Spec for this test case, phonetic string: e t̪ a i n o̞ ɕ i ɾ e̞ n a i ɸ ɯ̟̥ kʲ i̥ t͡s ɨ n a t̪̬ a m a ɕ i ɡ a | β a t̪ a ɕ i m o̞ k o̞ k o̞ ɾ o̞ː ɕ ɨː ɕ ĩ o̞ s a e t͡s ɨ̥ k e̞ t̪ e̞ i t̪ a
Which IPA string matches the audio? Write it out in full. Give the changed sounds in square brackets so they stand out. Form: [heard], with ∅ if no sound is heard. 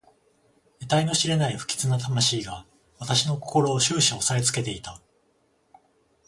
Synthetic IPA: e t̪ a i n o̞ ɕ i ɾ e̞ n a i ɸ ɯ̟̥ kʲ i̥ t͡s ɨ n a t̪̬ a m a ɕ [iː] ɡ a | β a t̪ a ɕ i [n] o̞ k o̞ k o̞ ɾ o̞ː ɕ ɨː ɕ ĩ o̞ s a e t͡s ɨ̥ k e̞ t̪ e̞ i t̪ a